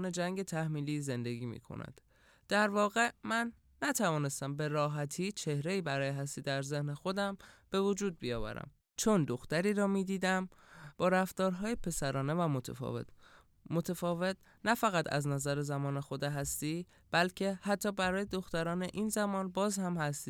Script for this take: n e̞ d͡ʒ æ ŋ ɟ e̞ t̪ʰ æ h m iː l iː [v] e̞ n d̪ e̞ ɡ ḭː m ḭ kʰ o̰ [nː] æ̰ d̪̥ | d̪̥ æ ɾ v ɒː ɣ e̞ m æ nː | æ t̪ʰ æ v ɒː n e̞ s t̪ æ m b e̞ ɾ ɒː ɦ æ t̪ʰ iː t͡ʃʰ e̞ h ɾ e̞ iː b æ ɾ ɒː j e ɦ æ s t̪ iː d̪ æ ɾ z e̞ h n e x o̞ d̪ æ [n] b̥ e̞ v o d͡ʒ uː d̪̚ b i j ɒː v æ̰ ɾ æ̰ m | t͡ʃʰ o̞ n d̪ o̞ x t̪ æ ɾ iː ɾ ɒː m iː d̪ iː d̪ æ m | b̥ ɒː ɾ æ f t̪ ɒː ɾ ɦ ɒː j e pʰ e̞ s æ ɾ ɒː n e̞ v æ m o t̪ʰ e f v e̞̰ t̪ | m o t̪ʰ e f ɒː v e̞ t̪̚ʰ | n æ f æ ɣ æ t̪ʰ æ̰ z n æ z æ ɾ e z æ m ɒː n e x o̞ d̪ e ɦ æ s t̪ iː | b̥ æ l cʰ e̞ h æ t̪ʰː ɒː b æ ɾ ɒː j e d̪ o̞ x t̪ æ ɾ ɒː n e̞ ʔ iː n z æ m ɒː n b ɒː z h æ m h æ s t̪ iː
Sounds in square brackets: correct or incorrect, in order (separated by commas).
incorrect, incorrect, incorrect